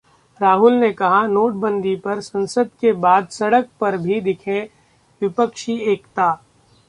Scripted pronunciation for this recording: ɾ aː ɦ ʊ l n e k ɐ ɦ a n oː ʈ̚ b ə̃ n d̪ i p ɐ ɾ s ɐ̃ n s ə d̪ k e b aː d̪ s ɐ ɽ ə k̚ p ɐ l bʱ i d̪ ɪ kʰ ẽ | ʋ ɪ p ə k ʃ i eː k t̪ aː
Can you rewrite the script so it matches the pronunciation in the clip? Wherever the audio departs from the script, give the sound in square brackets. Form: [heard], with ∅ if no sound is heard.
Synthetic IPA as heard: ɾ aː ɦ ʊ l n e k ɐ ɦ a n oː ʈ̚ b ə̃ n d̪ i p ɐ ɾ s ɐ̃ n s ə d̪ k e b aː d̪ s ɐ ɽ ə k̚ p ɐ [ɾ] bʱ i d̪ ɪ kʰ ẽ | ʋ ɪ p ə k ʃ i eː k t̪ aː

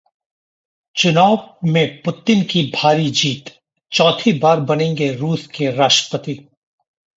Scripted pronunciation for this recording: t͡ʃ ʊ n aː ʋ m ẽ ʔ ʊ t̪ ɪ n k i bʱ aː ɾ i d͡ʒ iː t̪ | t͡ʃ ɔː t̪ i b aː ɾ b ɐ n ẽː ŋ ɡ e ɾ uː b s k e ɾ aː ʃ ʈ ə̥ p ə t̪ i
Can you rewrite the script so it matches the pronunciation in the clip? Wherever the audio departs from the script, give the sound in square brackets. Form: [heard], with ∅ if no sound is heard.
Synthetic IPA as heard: t͡ʃ ʊ n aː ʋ m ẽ [p] ʊ t̪ ɪ n k i bʱ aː ɾ i d͡ʒ iː t̪ | t͡ʃ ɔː [t̪ʰ] i b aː ɾ b ɐ n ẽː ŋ ɡ e ɾ uː [∅] s k e ɾ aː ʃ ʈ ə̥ p ə t̪ i

